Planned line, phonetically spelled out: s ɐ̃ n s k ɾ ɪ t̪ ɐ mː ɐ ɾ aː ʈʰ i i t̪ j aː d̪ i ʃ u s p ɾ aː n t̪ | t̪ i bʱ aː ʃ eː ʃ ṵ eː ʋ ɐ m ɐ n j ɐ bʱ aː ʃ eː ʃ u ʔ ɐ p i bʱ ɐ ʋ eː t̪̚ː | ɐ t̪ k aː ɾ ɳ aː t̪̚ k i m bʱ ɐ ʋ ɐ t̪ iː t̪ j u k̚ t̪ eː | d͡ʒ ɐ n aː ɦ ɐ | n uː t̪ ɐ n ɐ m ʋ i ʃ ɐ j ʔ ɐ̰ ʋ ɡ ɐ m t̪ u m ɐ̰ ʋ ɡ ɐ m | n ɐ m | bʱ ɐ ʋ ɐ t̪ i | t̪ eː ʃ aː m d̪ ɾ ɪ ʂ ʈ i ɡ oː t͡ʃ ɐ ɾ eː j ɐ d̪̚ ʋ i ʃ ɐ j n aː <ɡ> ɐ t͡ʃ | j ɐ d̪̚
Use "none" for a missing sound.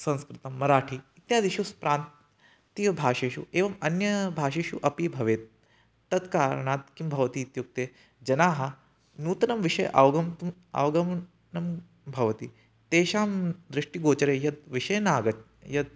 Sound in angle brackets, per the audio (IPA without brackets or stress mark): ɡ